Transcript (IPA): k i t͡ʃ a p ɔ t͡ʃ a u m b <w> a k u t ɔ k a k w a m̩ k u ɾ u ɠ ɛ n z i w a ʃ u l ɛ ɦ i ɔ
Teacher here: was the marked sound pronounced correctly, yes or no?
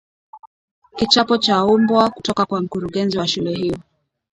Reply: yes